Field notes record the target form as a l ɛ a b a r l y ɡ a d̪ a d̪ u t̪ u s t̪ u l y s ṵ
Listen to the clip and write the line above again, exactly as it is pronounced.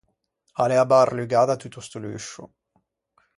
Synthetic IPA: a l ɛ a b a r l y ɡ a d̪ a t̪ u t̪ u s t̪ u l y ʃ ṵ